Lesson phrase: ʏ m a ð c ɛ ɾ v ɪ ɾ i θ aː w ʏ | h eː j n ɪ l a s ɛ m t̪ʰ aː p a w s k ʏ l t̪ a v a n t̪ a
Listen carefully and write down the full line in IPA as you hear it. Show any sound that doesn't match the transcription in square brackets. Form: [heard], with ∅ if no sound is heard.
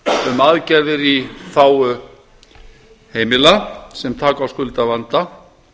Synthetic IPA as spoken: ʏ m a ð c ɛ ɾ [ð] ɪ ɾ i θ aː w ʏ | h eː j [m] ɪ l a s ɛ m t̪ʰ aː [k] a w s k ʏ l t̪ a v a n t̪ a